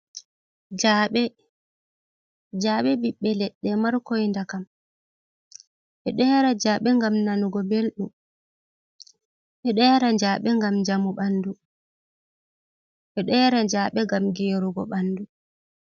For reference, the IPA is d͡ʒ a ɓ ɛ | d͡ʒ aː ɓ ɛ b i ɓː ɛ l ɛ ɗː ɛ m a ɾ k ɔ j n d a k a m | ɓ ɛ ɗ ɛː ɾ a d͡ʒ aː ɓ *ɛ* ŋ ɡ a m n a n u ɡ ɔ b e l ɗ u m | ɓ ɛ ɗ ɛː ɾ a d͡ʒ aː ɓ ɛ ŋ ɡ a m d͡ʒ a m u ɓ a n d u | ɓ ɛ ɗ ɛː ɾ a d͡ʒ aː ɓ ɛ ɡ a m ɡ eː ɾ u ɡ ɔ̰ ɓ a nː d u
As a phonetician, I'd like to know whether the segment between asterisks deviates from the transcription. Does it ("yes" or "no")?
no